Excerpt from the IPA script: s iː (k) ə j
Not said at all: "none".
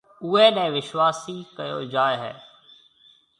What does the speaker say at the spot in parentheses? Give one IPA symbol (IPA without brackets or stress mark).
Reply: k